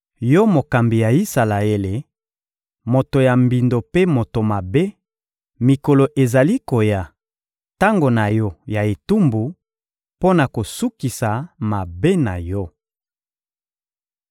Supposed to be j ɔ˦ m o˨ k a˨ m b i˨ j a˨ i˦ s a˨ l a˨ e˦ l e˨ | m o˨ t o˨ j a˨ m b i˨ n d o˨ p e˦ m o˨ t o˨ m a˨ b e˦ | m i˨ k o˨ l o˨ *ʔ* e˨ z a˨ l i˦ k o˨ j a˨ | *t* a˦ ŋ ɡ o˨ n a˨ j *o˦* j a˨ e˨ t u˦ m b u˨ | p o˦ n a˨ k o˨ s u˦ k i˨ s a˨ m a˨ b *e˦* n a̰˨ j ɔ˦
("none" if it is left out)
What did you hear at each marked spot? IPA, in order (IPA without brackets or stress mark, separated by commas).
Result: ʔ, t, ɔ˦, e˦